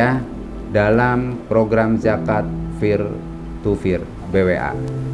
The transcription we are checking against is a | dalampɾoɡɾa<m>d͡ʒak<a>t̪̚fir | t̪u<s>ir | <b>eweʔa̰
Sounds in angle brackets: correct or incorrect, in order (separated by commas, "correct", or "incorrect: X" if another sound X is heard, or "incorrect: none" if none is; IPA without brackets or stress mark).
correct, correct, incorrect: f, correct